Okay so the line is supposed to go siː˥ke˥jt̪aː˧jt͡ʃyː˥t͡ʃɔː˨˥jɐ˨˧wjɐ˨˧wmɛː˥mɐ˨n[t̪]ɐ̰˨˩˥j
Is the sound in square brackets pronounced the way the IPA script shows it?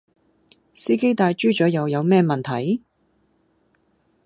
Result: no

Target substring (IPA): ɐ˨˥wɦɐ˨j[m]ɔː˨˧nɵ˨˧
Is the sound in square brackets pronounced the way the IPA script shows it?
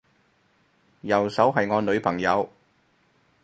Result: no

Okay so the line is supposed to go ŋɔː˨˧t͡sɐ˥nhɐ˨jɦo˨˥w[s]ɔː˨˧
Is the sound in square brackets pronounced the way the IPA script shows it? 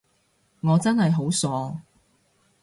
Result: yes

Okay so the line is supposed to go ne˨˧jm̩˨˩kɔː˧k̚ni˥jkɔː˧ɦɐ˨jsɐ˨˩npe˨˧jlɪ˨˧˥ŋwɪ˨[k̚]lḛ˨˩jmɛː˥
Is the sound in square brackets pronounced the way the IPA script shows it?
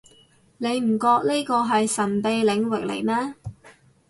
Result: yes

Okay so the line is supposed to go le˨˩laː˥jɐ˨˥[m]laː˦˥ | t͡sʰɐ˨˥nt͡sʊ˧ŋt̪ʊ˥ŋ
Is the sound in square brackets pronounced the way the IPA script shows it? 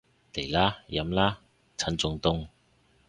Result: yes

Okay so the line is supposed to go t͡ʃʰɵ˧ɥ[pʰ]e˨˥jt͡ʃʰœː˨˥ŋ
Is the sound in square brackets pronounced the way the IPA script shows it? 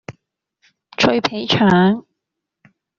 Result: yes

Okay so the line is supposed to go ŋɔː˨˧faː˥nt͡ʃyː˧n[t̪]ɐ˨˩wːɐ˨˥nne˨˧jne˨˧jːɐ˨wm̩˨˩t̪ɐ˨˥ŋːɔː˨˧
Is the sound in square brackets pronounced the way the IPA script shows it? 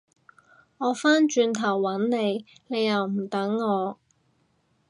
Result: no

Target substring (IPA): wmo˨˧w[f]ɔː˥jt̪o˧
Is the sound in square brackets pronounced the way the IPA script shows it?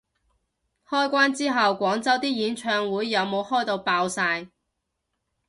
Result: no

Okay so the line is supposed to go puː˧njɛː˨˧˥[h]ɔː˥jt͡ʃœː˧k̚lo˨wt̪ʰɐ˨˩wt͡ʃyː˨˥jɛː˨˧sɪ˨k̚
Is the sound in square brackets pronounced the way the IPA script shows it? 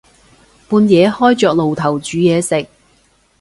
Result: yes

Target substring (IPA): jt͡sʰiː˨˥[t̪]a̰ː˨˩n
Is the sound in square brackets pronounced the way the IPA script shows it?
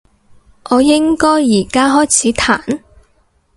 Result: no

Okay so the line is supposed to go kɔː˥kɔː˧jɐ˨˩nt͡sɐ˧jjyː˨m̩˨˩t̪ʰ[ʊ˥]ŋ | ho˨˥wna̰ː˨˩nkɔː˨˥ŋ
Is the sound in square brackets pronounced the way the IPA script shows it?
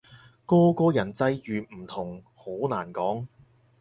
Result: no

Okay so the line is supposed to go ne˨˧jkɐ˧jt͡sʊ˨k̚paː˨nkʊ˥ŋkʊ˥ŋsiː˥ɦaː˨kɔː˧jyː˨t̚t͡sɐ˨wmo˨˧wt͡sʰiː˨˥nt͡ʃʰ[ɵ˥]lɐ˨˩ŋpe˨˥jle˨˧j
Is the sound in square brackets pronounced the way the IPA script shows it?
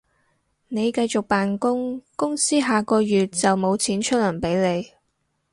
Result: yes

